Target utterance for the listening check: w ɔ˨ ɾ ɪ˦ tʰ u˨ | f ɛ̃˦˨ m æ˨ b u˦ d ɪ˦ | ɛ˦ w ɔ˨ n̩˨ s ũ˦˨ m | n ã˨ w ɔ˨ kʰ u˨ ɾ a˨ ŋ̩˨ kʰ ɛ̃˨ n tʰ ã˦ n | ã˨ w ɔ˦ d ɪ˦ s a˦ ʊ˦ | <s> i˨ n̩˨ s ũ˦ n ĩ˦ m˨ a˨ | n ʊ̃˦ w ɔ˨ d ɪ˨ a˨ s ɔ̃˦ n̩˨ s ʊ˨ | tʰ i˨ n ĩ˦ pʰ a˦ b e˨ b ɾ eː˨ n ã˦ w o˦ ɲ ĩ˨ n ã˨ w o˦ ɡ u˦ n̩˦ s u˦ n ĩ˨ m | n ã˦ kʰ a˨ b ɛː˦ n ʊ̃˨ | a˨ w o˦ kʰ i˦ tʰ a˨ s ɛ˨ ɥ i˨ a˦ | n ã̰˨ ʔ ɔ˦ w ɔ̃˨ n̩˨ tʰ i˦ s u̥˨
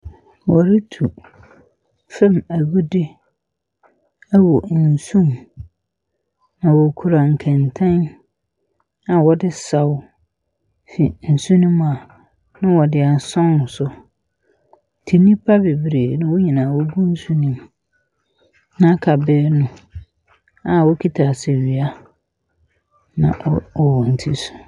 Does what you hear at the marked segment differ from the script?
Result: yes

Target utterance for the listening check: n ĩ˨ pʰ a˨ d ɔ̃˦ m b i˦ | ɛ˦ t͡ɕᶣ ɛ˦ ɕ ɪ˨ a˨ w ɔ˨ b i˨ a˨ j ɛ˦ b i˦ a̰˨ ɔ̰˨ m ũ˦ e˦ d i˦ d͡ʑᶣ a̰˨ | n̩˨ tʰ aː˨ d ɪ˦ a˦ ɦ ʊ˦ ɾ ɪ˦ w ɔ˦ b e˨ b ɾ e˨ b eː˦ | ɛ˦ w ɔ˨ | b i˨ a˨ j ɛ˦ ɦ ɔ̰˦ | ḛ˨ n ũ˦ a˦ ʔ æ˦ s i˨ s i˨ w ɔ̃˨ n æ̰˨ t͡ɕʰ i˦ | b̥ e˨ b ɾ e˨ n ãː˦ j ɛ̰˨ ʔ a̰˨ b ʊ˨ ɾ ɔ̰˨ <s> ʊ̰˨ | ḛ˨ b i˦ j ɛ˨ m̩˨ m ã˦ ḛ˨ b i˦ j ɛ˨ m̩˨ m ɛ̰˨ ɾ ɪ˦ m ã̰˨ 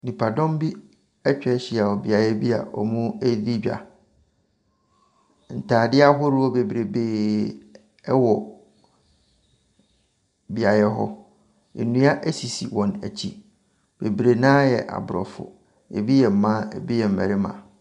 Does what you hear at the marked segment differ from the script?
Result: yes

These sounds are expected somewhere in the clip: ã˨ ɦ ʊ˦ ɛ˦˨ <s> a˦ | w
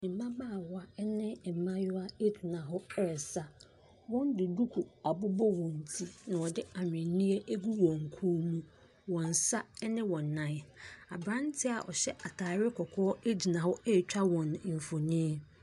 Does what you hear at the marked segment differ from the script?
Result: no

